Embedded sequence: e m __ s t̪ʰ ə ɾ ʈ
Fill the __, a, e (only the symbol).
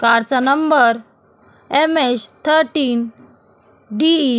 e